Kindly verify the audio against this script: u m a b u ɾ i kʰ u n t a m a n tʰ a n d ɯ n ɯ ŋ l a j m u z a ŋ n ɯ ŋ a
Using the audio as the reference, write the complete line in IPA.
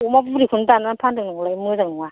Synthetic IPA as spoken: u m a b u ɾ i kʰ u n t a n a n pʰ a n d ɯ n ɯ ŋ l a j m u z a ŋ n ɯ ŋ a